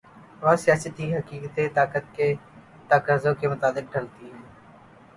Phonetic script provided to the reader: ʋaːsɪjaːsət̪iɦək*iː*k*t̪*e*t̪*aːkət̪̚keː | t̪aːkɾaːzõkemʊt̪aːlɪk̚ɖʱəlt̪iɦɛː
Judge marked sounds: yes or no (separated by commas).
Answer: yes, yes, yes